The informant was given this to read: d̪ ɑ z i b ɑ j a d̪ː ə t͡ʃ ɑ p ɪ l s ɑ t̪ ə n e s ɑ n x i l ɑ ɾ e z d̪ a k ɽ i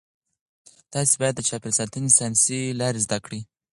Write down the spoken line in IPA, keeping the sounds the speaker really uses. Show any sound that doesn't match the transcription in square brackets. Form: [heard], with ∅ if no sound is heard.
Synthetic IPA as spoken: [t̪] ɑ [s] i b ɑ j a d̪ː ə t͡ʃ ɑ p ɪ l s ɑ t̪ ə n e s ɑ n [s] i l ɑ ɾ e z d̪ a k ɽ i

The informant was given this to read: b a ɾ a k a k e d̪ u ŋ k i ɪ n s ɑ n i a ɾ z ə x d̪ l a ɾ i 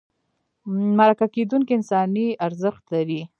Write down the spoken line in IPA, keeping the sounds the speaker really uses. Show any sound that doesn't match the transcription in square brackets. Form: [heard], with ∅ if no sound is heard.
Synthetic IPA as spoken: [m] a ɾ a k a k e d̪ u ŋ k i ɪ n s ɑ n i a ɾ z ə x [t̪] l a ɾ i

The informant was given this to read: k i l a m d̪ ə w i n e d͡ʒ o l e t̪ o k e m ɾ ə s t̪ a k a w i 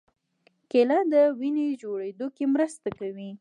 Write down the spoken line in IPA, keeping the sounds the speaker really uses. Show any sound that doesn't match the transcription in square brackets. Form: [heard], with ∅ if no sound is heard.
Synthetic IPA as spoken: k [e] l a [∅] d̪ ə w i n e d͡ʒ o [ɽ] e [d̪] o k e m ɾ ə s t̪ a k a w i

